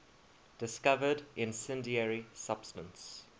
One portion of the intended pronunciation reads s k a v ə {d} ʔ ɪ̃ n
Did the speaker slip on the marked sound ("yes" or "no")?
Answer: no